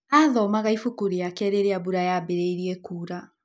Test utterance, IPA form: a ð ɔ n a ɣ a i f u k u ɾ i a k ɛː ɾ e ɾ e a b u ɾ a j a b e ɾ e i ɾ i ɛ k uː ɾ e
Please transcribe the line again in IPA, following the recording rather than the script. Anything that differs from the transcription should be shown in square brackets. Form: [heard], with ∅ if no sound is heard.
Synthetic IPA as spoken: a ð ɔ [m] a ɣ a i f u k u ɾ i a k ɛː ɾ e ɾ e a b u ɾ a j a b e ɾ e i ɾ i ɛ k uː ɾ [a]